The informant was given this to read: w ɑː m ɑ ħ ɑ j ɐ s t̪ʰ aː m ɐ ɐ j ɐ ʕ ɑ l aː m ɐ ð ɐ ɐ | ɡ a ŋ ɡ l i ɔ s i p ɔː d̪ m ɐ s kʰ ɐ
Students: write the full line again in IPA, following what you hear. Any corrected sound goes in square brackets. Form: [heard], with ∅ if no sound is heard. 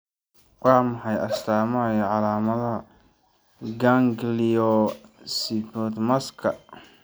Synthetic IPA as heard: w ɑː m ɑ ħ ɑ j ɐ s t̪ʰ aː m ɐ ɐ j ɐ ʕ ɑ l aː m ɐ ð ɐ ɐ | ɡ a ŋ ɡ l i ɔ s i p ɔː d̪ m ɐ s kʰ ɐ